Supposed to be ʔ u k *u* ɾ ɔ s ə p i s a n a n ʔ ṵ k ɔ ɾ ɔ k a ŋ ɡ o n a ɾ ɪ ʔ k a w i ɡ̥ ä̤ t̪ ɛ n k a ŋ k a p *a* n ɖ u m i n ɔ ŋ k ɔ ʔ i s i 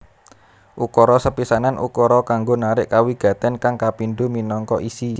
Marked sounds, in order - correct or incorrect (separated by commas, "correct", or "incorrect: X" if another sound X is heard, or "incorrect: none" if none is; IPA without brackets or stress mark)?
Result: incorrect: ɔ, incorrect: i